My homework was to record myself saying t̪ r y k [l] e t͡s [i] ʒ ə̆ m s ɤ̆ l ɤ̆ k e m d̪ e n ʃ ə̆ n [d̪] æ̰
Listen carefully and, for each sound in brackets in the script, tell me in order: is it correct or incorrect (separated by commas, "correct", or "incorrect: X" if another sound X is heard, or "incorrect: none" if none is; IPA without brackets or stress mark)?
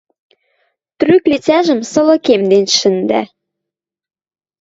correct, incorrect: æ, correct